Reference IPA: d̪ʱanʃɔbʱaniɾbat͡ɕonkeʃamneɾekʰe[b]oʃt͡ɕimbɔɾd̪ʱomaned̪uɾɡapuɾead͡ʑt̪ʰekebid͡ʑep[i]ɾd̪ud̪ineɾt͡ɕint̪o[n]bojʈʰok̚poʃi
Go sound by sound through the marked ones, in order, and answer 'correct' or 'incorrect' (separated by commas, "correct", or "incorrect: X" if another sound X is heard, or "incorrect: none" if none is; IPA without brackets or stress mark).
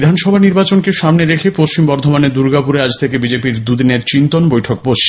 incorrect: p, correct, correct